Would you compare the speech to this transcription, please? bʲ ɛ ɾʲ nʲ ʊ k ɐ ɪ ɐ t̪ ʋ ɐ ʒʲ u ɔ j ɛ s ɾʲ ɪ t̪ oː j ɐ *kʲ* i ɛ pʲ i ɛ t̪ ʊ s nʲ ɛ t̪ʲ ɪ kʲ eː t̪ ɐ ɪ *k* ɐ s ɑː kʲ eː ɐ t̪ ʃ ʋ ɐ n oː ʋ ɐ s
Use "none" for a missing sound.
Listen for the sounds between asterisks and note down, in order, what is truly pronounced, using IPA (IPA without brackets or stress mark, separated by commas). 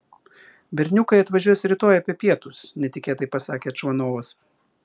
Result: pʲ, p